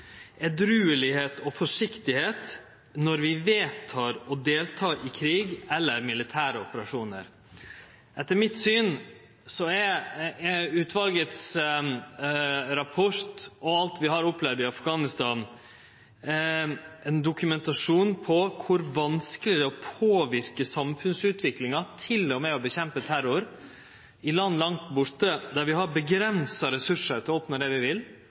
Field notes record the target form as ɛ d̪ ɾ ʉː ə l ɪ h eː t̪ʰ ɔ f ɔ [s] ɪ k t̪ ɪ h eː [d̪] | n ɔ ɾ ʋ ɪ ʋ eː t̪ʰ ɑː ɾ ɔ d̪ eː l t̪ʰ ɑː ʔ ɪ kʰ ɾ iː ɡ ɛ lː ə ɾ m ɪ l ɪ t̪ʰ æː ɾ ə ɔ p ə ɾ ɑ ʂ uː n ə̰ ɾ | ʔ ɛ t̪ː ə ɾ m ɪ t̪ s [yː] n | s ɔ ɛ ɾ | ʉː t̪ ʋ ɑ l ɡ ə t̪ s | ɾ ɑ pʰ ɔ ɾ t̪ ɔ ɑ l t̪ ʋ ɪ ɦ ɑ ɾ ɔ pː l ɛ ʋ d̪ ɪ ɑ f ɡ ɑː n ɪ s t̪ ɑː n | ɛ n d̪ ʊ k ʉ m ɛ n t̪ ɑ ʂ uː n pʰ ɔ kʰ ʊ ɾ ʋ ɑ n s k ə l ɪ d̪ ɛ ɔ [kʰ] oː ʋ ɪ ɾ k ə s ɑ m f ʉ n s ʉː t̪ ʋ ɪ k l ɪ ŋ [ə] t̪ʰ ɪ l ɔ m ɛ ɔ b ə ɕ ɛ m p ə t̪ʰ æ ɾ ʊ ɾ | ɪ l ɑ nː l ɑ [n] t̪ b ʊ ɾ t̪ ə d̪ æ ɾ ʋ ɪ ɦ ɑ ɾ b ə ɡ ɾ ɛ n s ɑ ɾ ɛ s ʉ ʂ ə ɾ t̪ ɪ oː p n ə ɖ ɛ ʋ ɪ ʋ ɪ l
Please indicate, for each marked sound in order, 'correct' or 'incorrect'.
incorrect: ʂ, incorrect: t̪, correct, incorrect: pʰ, incorrect: ɑ, incorrect: ŋ

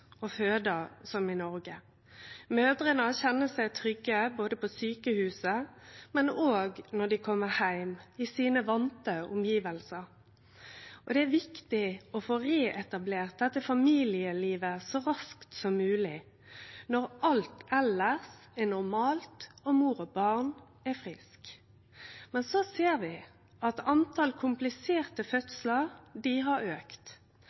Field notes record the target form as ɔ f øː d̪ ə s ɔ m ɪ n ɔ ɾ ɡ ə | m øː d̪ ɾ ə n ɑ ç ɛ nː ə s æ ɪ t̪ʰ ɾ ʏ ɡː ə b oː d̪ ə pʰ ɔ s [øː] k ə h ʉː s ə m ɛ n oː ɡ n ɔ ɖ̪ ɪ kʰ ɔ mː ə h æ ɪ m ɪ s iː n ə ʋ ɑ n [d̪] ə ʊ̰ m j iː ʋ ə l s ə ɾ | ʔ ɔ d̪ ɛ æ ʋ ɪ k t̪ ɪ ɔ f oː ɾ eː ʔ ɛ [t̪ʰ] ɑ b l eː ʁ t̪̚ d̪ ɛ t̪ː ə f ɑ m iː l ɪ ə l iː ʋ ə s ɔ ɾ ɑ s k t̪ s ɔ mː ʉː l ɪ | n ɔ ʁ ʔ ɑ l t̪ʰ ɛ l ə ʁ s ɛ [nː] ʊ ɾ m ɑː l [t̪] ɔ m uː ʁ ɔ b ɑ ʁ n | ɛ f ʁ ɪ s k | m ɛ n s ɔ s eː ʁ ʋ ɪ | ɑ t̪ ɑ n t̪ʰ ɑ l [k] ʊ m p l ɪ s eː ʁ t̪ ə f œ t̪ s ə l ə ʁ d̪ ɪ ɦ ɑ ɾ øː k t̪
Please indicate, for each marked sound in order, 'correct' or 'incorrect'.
incorrect: yː, incorrect: t̪, incorrect: t̪, incorrect: n, correct, incorrect: kʰ

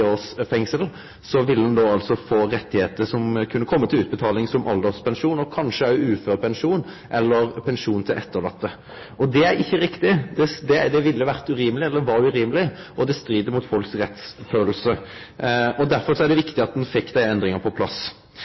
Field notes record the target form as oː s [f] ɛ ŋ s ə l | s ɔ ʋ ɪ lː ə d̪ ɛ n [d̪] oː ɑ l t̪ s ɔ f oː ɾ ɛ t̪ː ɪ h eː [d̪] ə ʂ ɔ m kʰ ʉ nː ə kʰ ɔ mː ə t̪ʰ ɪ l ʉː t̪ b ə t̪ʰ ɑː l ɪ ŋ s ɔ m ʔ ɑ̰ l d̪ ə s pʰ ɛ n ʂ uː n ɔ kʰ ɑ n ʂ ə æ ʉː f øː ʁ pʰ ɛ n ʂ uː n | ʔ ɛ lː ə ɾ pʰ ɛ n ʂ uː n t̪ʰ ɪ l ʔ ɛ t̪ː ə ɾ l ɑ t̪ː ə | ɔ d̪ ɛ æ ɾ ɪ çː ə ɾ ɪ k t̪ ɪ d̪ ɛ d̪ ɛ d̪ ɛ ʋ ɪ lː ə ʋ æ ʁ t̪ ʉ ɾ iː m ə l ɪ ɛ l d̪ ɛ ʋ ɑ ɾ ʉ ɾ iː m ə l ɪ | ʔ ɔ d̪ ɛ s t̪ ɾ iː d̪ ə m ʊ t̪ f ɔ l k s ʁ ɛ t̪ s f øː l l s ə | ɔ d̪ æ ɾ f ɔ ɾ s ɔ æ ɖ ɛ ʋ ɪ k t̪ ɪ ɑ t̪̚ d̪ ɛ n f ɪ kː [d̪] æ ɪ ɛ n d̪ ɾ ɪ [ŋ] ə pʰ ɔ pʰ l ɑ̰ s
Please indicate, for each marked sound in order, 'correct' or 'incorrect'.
correct, correct, incorrect: t̪, correct, correct

